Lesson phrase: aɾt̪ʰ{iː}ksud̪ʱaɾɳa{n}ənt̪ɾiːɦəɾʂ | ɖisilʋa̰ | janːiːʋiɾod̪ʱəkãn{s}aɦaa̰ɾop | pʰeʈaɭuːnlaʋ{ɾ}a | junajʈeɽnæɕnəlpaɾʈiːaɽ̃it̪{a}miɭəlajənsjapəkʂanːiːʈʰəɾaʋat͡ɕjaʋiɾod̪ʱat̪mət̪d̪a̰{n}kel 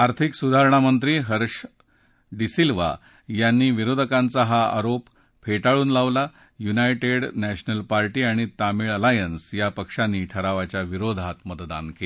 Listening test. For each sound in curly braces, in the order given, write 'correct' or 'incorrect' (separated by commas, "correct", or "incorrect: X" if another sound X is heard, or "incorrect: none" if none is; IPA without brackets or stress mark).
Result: incorrect: i, incorrect: m, incorrect: t͡s, incorrect: l, correct, correct